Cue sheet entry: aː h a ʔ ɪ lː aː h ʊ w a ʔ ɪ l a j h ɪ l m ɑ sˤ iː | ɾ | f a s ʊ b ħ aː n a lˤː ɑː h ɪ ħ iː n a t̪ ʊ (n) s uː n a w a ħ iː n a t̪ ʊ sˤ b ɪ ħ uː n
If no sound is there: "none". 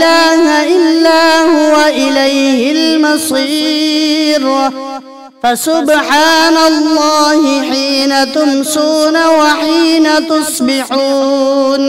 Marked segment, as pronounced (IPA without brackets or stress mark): m